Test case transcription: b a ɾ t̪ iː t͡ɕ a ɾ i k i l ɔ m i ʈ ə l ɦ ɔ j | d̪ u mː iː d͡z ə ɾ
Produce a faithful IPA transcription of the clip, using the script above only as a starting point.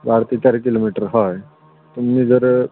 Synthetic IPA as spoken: b a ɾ t̪ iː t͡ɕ a ɾ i k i l o m i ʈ ə ɾ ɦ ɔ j | t̪ u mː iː d͡z ə ɾ